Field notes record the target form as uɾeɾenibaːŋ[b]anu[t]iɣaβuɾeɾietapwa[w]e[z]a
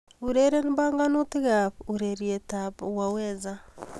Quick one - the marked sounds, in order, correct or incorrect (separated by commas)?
incorrect, correct, correct, correct